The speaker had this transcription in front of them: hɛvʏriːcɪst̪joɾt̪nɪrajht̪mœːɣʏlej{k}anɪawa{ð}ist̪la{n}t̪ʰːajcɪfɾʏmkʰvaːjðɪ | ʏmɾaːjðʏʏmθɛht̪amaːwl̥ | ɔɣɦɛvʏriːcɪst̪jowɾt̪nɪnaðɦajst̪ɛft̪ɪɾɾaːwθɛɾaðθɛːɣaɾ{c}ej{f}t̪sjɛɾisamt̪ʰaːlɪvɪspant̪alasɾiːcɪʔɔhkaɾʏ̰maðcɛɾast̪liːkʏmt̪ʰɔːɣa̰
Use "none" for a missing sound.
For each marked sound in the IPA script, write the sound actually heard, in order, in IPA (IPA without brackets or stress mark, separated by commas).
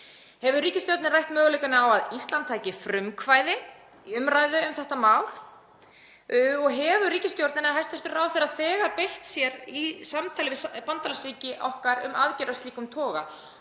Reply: k, ð, n, p, h